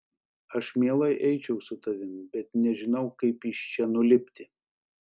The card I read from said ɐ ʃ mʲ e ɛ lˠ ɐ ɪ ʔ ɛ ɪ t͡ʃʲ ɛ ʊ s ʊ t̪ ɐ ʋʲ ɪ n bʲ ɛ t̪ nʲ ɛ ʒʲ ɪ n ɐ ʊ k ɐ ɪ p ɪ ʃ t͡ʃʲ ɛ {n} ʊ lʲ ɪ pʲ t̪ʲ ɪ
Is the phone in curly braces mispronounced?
no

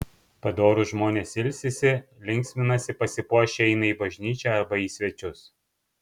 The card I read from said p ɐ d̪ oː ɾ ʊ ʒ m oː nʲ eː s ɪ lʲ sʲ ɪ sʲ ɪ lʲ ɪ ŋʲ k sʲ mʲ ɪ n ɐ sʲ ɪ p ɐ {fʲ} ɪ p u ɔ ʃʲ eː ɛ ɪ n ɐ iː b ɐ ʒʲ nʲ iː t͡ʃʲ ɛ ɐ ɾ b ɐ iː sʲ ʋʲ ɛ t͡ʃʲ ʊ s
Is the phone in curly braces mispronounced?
yes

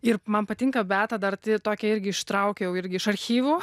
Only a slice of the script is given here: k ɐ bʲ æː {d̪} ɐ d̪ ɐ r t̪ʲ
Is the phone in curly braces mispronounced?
yes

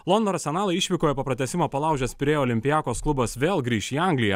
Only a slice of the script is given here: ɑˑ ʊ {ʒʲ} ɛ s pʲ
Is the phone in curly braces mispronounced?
no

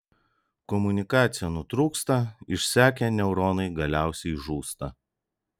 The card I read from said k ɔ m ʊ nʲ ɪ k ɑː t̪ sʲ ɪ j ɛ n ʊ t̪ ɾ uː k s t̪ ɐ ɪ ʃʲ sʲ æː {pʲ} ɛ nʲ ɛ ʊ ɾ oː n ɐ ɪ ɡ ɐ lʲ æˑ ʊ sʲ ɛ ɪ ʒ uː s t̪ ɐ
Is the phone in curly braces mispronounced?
yes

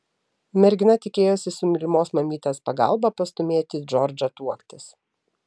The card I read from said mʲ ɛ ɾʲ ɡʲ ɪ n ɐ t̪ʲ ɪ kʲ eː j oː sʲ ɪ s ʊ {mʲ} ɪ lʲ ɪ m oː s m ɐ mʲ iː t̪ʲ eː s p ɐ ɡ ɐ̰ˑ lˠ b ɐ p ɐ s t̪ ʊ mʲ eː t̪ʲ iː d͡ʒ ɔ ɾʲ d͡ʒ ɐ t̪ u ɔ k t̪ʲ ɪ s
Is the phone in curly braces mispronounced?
no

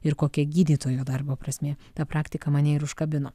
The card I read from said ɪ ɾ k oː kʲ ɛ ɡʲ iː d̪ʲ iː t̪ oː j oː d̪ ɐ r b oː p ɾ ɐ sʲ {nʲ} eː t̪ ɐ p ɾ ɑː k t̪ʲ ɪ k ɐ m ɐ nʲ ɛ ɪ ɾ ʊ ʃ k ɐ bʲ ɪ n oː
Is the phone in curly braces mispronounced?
yes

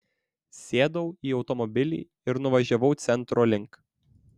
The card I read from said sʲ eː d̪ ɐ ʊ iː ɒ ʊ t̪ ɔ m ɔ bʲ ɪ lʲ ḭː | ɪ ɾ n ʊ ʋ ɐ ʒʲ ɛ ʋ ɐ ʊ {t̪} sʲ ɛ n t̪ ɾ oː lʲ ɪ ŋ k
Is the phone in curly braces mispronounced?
no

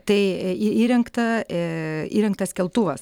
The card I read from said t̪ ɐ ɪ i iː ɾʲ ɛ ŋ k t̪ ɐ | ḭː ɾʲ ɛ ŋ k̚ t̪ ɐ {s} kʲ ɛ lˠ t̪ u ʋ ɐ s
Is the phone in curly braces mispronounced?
no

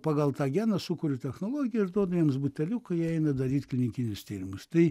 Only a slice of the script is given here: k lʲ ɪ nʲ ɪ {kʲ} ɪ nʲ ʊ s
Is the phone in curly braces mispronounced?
no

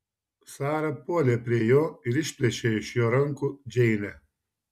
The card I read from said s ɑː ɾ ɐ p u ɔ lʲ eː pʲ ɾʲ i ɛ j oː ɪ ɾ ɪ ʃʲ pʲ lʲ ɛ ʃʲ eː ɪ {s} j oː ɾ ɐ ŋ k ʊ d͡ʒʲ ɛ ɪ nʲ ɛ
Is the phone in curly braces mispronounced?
yes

